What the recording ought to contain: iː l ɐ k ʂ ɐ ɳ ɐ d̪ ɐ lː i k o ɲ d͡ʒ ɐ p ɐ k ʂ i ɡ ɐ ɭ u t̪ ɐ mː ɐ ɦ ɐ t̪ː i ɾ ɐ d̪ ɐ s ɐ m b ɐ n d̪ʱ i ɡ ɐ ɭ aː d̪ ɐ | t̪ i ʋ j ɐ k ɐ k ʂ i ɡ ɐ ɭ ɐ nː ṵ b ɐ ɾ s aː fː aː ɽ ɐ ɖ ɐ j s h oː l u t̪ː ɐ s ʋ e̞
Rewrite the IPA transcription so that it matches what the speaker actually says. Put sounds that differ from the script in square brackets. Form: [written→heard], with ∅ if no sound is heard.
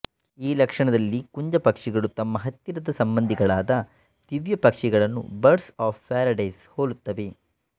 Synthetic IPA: iː l ɐ k ʂ ɐ ɳ ɐ d̪ ɐ lː i k [o→u] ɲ d͡ʒ ɐ p ɐ k ʂ i ɡ ɐ ɭ u t̪ ɐ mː ɐ ɦ ɐ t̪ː i ɾ ɐ d̪ ɐ s ɐ m b ɐ n d̪ʱ i ɡ ɐ ɭ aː d̪ ɐ | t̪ i ʋ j ɐ [k→p] ɐ k ʂ i ɡ ɐ ɭ ɐ nː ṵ b ɐ ɾ s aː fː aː [ɽ→ɾ] ɐ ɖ ɐ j s h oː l u t̪ː ɐ [s→∅] ʋ e̞

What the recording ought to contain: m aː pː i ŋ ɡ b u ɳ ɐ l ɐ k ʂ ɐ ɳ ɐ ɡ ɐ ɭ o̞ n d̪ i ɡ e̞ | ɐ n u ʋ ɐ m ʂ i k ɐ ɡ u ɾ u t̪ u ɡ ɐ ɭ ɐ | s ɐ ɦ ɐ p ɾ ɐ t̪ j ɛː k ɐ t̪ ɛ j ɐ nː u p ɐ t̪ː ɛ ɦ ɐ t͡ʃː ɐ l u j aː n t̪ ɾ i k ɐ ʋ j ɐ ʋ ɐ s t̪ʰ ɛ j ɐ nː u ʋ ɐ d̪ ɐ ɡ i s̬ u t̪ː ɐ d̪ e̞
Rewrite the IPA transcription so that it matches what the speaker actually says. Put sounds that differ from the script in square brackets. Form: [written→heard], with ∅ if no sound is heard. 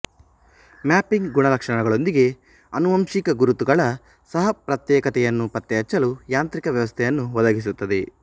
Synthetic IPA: m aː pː i ŋ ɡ [b→ɡ] u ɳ ɐ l ɐ k ʂ ɐ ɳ ɐ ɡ ɐ ɭ o̞ n d̪ i ɡ e̞ | ɐ n u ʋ ɐ m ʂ i k ɐ ɡ u ɾ u t̪ u ɡ ɐ ɭ ɐ | s ɐ ɦ ɐ p ɾ ɐ t̪ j ɛː k ɐ t̪ ɛ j ɐ nː u p ɐ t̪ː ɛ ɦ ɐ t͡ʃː ɐ l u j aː n t̪ ɾ i k ɐ ʋ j ɐ ʋ ɐ s t̪ʰ ɛ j ɐ nː u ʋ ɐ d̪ ɐ ɡ i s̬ u t̪ː ɐ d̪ e̞

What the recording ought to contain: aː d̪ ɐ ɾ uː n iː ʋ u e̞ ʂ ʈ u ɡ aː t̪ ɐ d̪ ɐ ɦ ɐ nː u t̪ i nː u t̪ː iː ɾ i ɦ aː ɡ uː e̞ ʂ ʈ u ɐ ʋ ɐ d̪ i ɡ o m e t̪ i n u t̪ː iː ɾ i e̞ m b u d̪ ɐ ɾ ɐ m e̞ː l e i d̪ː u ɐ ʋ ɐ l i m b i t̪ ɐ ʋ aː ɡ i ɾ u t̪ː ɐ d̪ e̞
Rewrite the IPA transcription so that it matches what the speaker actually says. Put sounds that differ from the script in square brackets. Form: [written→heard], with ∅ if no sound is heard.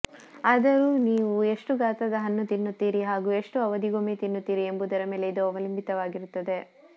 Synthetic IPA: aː d̪ ɐ ɾ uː n iː ʋ u e̞ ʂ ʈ u ɡ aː t̪ ɐ d̪ ɐ ɦ ɐ nː u t̪ i nː u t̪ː iː ɾ i ɦ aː ɡ uː e̞ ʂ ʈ u ɐ ʋ ɐ d̪ i ɡ o m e t̪ i [n→nː] u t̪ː iː ɾ i e̞ m b u d̪ ɐ ɾ ɐ m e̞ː l e i [d̪ː→d̪] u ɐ ʋ ɐ l i m b i t̪ ɐ ʋ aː ɡ i ɾ u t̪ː ɐ d̪ e̞

